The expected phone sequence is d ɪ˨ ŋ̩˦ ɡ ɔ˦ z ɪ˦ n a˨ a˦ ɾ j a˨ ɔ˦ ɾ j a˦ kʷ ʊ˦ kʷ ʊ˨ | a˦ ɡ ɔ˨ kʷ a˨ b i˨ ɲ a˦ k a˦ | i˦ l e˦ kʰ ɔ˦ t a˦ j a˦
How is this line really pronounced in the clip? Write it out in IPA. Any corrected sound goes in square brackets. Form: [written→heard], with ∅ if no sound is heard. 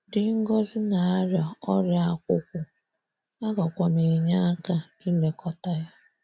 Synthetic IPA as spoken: d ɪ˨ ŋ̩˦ ɡ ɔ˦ z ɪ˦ n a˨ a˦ ɾ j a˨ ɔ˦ ɾ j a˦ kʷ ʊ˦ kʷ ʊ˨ | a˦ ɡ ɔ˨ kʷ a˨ [b→m] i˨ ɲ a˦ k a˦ | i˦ l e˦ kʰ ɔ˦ t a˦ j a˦